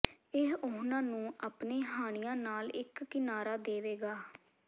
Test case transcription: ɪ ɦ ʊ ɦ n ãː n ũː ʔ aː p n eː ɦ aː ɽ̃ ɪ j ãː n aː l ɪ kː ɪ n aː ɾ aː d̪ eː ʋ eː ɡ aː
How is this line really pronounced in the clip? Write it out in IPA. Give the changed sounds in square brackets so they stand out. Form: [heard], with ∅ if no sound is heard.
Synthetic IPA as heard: ɪ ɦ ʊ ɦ n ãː n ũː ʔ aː p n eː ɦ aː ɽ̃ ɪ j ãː n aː l ɪ kː ɪ n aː ɾ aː d̪ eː ʋ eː ɡ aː